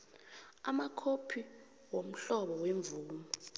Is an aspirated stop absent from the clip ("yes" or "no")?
no